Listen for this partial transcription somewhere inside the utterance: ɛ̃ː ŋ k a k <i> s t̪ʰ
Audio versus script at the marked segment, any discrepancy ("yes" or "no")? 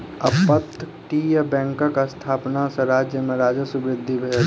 yes